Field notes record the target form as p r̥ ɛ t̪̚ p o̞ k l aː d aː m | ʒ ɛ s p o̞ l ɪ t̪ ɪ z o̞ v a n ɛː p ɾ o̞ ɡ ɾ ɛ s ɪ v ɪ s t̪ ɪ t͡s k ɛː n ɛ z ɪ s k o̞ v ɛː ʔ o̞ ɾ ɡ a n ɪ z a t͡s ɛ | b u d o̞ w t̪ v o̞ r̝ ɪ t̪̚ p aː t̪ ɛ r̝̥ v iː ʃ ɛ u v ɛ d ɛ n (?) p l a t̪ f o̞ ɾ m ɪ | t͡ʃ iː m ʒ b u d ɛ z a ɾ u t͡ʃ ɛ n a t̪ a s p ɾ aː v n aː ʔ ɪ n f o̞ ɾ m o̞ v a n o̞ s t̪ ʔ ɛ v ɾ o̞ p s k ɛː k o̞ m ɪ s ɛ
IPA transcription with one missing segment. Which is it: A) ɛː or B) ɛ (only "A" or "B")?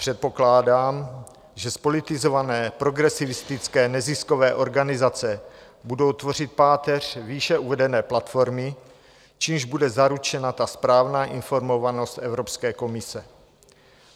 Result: A